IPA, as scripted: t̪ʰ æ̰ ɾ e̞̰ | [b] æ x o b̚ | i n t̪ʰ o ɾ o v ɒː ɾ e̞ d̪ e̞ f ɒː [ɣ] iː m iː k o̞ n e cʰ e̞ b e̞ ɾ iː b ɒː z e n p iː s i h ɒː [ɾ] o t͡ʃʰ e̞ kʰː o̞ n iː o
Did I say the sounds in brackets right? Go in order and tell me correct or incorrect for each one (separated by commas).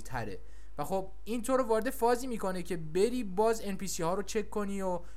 incorrect, incorrect, correct